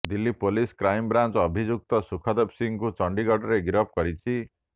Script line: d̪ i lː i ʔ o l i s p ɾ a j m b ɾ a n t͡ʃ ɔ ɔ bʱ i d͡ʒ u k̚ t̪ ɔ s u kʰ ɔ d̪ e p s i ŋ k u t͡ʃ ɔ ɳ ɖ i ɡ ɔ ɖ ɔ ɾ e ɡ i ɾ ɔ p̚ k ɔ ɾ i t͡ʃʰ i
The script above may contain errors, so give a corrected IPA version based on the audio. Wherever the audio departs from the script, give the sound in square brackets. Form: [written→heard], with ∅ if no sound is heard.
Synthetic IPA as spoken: d̪ i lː i [ʔ→p] o l i s [p→k] ɾ a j m b ɾ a n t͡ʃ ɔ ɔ bʱ i d͡ʒ u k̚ t̪ ɔ s u kʰ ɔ d̪ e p s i ŋ k u t͡ʃ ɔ ɳ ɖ i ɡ ɔ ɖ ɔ ɾ e ɡ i ɾ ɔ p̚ k ɔ ɾ i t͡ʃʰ i